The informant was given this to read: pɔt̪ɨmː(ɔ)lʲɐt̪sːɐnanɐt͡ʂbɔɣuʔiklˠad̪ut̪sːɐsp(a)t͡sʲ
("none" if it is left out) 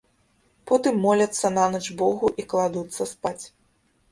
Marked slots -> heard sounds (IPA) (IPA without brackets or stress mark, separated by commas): ɔ, a